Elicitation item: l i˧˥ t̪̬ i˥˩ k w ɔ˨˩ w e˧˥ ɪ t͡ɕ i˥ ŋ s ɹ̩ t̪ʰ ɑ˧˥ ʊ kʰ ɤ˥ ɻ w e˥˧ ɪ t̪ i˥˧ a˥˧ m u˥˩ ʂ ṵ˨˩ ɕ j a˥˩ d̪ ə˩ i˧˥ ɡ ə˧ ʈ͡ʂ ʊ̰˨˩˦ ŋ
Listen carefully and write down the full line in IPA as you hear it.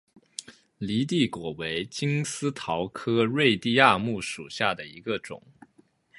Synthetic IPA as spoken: l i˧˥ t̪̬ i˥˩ k w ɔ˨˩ w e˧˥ ɪ t͡ɕ i˥ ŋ s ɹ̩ t̪ʰ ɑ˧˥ ʊ kʰ ɤ˥ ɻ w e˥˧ ɪ t̪ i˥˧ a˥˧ m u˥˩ ʂ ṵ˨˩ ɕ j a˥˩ d̪ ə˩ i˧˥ ɡ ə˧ ʈ͡ʂ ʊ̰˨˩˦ ŋ